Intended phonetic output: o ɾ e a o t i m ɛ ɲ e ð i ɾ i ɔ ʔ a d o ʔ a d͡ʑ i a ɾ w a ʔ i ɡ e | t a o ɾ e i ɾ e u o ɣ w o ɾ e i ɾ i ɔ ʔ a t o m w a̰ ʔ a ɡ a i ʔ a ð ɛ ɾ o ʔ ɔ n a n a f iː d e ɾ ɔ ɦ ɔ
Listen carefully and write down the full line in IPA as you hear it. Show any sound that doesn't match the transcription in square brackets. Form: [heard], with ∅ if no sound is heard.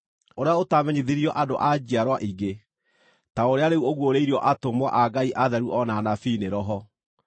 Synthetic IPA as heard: o ɾ e a o t [a] m ɛ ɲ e ð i ɾ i ɔ ʔ a d o ʔ a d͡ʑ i a ɾ w a ʔ i ɡ e | t a o ɾ e [a] ɾ e u o ɣ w o ɾ e i ɾ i ɔ ʔ a t o m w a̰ ʔ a ɡ a i ʔ a ð ɛ ɾ [u] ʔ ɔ n a n a f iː [n] e ɾ ɔ ɦ ɔ